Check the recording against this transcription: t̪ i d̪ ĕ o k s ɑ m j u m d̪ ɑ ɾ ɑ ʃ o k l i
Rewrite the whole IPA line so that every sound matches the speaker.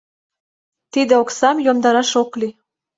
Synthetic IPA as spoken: t̪ i d̪ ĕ o k s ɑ m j o m d̪ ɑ ɾ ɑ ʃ o k l i